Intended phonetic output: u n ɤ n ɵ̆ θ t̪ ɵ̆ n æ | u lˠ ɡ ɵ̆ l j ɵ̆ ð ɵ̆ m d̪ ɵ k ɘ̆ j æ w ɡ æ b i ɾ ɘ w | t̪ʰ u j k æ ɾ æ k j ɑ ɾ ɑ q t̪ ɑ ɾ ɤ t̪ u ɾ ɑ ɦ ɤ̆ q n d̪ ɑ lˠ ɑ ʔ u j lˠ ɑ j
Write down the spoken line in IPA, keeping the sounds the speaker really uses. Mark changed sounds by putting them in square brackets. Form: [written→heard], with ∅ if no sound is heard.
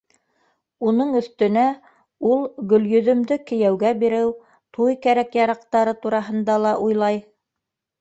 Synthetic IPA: u n ɤ [n→ɴ] ɵ̆ θ t̪ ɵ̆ n æ | u lˠ ɡ ɵ̆ l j ɵ̆ ð ɵ̆ m d̪ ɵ k ɘ̆ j æ w ɡ æ b i ɾ ɘ w | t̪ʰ u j k æ ɾ æ k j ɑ ɾ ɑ q t̪ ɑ ɾ ɤ t̪ u ɾ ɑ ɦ ɤ̆ [q→∅] n d̪ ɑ lˠ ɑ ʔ u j lˠ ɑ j